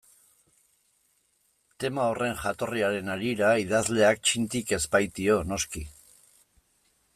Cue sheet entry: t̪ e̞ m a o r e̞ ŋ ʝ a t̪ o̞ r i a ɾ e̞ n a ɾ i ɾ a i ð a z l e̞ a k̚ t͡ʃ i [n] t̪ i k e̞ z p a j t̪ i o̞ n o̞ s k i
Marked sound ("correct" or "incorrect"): correct